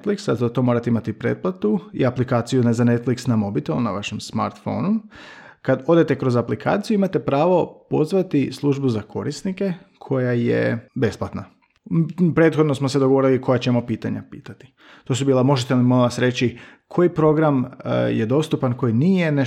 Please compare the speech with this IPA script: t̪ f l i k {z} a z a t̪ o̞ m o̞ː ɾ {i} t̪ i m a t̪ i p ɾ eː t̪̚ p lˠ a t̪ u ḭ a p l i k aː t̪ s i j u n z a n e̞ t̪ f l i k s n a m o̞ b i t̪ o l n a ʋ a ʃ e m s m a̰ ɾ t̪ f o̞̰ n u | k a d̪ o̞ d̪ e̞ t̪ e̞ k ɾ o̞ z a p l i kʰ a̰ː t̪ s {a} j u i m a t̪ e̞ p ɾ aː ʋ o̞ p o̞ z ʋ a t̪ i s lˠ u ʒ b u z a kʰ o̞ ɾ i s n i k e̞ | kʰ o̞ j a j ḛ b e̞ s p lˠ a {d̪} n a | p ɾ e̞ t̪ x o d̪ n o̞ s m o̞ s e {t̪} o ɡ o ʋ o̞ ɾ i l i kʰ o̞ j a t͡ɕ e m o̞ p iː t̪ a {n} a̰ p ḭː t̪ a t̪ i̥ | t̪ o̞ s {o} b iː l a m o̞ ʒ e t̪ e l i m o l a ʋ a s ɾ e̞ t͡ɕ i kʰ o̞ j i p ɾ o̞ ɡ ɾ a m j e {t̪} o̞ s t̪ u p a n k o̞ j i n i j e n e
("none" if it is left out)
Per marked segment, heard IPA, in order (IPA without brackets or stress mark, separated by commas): s, a, i, t̪, d̪, ɲ, u, d̪